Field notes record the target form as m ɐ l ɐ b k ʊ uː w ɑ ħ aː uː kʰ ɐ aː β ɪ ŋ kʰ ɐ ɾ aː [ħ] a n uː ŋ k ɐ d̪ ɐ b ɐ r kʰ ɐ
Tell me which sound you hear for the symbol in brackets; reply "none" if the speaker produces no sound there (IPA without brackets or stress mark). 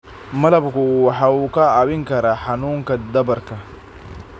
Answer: ħ